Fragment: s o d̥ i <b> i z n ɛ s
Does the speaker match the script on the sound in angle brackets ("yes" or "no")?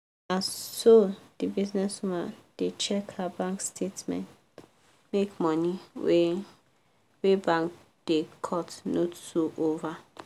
yes